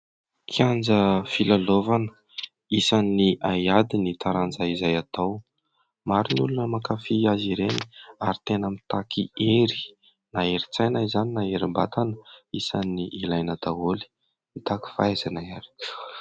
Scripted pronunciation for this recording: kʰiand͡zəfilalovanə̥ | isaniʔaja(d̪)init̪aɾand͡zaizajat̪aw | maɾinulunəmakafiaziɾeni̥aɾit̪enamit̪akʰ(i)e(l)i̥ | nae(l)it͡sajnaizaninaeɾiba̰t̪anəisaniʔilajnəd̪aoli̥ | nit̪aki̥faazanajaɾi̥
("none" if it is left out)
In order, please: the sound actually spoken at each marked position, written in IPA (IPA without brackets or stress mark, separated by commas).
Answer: d̪, i, ɾ, ɾ